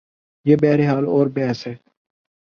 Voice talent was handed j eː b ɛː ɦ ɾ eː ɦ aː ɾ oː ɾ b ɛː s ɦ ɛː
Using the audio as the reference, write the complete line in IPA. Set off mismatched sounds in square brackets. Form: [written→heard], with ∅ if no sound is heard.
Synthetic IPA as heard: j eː b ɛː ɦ ɾ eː ɦ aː [ɾ→l] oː ɾ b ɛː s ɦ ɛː